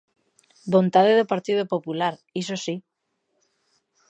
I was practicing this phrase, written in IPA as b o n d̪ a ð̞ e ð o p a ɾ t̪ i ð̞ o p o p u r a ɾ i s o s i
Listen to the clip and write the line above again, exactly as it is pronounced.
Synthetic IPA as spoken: b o n t̪ a ð̞ e ð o p a ɾ t̪ i ð̞ o p o p u l a ɾ i s o s i